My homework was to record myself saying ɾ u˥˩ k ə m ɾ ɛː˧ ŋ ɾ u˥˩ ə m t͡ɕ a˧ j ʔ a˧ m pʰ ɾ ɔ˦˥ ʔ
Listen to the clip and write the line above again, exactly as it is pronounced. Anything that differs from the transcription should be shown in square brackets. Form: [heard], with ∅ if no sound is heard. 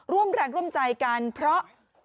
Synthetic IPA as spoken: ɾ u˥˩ [∅] ə m ɾ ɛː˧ ŋ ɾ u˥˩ ə m t͡ɕ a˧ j [k] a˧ [n] pʰ ɾ ɔ˦˥ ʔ